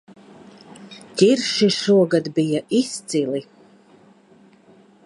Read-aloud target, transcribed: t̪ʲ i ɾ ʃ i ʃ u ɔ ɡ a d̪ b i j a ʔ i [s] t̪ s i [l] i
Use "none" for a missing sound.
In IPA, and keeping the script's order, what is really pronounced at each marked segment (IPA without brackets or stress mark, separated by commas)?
s, l